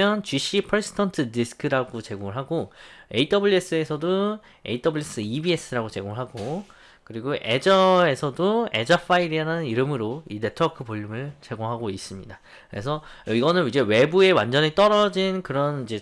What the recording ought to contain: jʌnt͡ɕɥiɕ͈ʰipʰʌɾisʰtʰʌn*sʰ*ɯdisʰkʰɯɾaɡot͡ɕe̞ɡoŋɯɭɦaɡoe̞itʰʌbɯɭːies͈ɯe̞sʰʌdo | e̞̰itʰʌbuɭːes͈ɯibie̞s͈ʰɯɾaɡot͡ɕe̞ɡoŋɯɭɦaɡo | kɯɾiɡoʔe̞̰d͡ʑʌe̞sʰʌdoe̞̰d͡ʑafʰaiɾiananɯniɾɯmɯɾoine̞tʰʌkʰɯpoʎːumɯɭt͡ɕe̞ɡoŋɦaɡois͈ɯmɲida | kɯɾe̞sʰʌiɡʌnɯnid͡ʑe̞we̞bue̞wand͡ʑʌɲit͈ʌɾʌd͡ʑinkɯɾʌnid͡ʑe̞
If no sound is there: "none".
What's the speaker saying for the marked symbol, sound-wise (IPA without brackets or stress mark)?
tʰ